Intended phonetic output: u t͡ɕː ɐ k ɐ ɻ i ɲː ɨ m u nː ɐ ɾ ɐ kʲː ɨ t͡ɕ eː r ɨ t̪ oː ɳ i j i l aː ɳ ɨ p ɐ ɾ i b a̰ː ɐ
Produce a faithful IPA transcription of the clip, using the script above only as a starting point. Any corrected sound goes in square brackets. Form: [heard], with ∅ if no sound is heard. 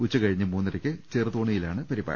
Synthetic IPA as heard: u t͡ɕː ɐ k ɐ ɻ i ɲː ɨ m [uː] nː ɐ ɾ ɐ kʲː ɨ t͡ɕ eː r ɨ t̪ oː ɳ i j i l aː ɳ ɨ p ɐ ɾ i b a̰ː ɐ